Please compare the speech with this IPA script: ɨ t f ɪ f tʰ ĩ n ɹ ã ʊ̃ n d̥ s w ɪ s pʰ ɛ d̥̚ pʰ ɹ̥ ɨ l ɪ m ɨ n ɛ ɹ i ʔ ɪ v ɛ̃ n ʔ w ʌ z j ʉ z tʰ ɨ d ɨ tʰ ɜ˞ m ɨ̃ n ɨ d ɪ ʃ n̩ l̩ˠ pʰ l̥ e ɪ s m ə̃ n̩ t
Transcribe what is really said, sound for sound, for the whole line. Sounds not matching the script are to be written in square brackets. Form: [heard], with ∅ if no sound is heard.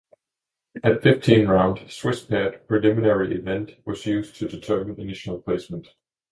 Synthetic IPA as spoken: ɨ t f ɪ f tʰ ĩ n ɹ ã ʊ̃ n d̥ s w ɪ s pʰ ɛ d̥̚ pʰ ɹ̥ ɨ l ɪ m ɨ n ɛ ɹ i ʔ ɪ v ɛ̃ n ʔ w ʌ z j ʉ z tʰ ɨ d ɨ tʰ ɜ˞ m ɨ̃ n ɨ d ɪ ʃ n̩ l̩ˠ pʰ l̥ e ɪ s m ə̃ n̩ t